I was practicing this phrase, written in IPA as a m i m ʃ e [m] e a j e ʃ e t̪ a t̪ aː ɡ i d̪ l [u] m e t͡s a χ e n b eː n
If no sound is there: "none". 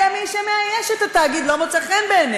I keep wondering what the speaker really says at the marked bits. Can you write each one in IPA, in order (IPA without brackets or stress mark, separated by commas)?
m, o